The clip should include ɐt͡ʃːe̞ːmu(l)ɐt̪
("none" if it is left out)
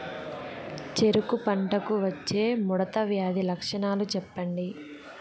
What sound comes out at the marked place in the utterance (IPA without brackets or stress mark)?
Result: ɽ